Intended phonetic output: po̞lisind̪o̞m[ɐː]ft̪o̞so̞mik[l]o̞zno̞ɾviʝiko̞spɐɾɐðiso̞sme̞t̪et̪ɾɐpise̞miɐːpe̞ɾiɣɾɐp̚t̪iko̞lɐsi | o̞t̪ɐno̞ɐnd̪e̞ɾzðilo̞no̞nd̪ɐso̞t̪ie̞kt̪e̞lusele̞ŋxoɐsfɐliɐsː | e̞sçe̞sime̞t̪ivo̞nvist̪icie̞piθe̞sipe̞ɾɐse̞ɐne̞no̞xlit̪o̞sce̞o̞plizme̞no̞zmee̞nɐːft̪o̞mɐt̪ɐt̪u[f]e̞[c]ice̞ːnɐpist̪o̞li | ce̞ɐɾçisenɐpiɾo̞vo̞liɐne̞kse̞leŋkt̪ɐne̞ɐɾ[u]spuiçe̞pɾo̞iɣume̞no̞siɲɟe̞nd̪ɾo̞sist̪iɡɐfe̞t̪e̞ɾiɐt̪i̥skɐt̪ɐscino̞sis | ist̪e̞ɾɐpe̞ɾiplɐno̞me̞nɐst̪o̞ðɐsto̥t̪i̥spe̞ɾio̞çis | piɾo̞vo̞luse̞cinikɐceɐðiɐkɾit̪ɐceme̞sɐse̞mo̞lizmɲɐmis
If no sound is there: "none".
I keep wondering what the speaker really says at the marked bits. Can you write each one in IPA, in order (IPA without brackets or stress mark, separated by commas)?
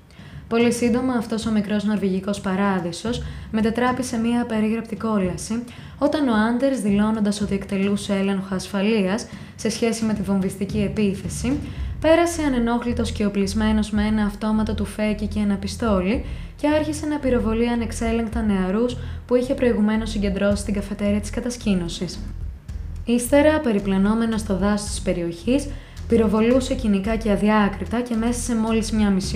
ɐː, ɾ, f, c, u